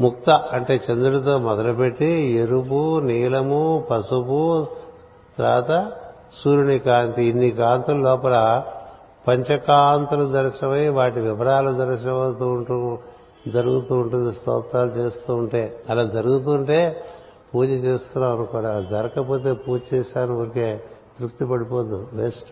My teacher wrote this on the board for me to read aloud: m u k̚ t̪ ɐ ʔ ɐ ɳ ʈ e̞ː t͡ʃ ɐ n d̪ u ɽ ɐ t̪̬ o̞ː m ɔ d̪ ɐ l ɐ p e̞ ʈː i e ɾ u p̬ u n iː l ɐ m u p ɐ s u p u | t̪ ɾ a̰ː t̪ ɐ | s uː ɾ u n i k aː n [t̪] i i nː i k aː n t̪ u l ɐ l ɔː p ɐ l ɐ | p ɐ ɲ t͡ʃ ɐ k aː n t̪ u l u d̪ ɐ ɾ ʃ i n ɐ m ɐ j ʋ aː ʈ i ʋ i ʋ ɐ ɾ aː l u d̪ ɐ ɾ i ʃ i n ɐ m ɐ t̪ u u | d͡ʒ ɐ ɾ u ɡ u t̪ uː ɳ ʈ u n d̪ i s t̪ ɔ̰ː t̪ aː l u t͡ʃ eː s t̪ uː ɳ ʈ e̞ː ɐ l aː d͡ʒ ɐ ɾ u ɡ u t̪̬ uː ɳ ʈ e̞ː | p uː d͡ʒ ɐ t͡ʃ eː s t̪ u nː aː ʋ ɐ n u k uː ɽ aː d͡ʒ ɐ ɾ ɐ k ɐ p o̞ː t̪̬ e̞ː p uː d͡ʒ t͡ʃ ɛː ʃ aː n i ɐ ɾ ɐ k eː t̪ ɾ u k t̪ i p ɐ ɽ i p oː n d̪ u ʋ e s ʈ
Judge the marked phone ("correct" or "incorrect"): correct